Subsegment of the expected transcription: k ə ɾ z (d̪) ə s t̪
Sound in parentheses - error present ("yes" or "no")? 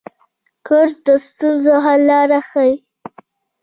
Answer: no